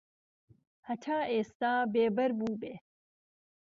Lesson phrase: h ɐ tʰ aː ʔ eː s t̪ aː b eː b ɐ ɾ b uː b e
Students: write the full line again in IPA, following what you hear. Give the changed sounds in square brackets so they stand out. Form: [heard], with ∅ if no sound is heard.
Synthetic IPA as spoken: h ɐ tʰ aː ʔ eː s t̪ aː b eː b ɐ ɾ b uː b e